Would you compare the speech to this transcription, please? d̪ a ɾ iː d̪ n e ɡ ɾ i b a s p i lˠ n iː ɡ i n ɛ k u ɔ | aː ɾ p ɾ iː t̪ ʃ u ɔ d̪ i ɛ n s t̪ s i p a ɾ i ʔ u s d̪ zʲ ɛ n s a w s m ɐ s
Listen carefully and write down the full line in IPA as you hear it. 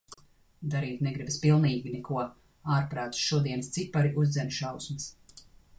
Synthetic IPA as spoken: d̪ a ɾ iː t̪ n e ɡ ɾ i b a s p i lˠ n iː ɡ i n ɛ k u ɔ | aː ɾ p ɾ aː t̪ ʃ u ɔ d̪ i ɛ n s t̪ s i p a ɾ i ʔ u z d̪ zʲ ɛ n ʃ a w s m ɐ s